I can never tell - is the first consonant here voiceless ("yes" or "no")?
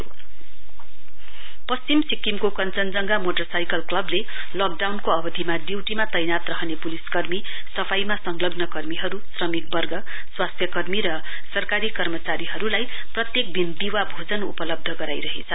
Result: yes